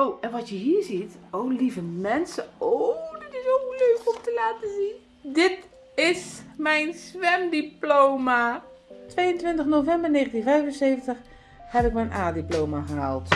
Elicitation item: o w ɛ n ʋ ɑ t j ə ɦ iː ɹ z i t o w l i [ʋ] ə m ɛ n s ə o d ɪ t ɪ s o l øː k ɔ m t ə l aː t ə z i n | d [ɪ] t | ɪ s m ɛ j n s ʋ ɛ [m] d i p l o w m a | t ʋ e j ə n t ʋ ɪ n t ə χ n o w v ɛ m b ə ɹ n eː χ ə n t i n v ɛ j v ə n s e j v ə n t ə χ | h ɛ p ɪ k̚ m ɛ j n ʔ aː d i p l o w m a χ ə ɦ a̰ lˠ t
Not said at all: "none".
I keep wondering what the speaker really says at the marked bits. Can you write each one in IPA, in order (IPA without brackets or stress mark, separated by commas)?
v, ɪ, m